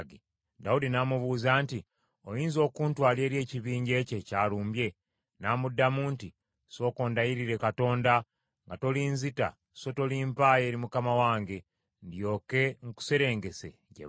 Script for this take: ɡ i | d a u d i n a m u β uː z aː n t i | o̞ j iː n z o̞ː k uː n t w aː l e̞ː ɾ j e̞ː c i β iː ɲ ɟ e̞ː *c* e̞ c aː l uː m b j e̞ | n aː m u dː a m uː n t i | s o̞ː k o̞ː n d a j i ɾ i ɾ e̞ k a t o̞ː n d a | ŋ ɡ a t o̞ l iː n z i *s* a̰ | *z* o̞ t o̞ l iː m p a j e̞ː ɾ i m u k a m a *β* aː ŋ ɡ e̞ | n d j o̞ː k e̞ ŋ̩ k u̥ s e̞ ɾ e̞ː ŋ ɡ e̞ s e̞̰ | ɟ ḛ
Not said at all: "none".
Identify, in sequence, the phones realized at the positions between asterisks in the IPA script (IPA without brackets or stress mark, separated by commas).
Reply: c, t, s, w